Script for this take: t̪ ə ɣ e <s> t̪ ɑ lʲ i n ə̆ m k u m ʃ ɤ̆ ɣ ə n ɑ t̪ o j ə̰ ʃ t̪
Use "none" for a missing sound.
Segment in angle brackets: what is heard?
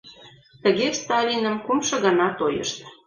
s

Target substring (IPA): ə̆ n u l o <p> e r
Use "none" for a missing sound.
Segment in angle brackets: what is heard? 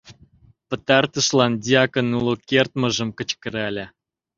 k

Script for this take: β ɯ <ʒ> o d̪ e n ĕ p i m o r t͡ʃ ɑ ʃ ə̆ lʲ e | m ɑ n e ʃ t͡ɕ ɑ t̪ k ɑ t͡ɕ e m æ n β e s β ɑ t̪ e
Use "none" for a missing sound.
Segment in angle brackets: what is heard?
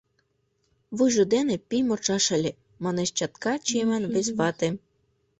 ʒ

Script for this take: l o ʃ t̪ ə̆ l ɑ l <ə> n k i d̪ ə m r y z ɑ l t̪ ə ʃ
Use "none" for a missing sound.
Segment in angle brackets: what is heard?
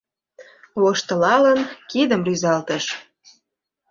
ə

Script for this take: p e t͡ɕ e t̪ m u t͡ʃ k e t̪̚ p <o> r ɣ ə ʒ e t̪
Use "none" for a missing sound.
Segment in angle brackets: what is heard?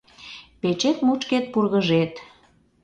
u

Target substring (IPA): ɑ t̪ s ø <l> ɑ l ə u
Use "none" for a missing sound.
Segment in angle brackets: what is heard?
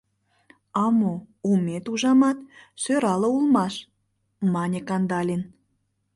ɾ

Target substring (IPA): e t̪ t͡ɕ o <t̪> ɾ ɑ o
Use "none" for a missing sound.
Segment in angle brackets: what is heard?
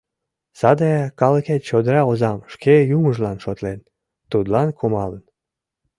d̪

